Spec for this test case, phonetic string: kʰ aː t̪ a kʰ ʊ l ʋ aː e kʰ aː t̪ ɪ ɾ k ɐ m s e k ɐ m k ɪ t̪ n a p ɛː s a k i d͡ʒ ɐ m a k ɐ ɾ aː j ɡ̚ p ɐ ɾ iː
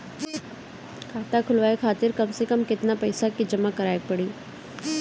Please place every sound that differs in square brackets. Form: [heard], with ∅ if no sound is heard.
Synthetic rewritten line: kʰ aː t̪ a kʰ ʊ l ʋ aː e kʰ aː t̪ ɪ ɾ k ɐ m s e k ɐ m k ɪ t̪ n a p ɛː s a k i d͡ʒ ɐ m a k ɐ ɾ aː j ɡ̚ p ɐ [ɽ] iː